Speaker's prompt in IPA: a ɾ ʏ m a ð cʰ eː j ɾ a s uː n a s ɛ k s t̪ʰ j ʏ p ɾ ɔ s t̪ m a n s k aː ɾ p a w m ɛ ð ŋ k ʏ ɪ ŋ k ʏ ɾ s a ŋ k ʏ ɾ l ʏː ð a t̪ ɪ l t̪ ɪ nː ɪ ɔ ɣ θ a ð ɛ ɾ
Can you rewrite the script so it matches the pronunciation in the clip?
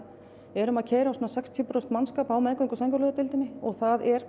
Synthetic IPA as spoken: ɛ ɾ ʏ m a ð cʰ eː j ɾ a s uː n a s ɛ k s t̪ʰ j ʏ p ɾ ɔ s t̪ m a n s k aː p a w m ɛ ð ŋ k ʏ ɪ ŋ k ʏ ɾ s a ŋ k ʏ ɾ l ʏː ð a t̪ ɪ l t̪ ɪ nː ɪ ɔ ɣ θ a ð ɛ ɾ